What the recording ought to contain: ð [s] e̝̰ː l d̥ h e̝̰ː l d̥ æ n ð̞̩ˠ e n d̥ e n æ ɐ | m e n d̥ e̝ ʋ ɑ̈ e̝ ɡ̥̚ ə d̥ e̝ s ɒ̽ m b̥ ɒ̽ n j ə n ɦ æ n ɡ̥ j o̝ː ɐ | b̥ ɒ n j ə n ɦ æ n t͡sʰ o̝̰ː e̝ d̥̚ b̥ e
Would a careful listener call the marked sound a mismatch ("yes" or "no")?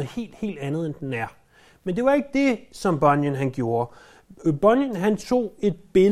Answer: yes